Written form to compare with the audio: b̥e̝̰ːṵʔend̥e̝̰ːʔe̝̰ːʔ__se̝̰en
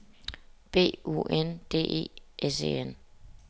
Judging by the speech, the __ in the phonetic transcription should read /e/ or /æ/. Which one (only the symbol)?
e